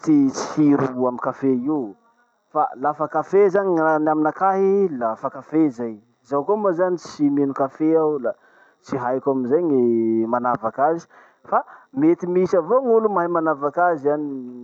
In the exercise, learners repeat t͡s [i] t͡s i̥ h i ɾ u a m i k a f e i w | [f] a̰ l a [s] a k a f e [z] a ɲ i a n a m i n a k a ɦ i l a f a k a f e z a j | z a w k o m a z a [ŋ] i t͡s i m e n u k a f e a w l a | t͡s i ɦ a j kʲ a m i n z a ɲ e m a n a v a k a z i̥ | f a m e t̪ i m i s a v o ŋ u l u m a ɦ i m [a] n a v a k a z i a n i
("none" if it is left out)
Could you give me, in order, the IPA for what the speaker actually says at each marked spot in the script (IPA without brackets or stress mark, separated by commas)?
i, f, f, z, n, a